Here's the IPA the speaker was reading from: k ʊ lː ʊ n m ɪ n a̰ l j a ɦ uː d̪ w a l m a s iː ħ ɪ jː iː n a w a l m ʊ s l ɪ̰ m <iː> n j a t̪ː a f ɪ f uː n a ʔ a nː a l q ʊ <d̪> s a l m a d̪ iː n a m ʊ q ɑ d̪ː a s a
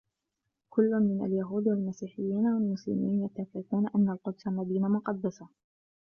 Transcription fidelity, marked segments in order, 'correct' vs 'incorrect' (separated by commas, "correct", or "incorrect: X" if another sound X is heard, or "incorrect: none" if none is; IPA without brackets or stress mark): correct, correct